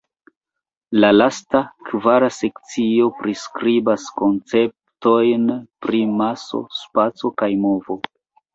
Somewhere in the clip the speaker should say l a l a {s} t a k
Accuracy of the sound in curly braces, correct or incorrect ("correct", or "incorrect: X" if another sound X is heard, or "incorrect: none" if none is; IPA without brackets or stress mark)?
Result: correct